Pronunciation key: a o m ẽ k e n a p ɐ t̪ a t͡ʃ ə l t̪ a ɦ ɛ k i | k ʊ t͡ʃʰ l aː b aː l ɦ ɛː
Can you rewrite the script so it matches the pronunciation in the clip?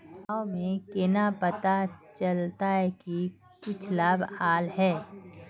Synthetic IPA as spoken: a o m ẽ k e n a p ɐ t̪ a t͡ʃ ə l t̪ a ɦ ɛ k i | k ʊ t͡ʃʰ l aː b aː l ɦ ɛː